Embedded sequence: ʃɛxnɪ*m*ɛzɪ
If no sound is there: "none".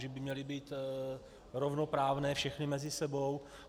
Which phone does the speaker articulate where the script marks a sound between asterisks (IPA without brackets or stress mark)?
m